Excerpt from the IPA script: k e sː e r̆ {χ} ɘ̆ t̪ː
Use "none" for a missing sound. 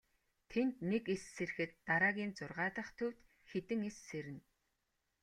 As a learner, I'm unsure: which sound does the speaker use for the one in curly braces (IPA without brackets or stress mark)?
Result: x